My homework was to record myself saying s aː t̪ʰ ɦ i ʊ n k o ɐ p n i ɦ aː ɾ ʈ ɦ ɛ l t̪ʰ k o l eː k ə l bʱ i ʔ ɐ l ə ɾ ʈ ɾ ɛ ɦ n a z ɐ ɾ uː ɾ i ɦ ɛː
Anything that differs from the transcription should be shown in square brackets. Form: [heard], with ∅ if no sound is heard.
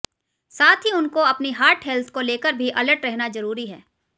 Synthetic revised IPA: s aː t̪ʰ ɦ i ʊ n k o ɐ p n i ɦ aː ɾ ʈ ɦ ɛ l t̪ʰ k o l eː k ə [ɾ] bʱ i ʔ ɐ l ə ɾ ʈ ɾ ɛ ɦ n a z ɐ ɾ uː ɾ i ɦ ɛː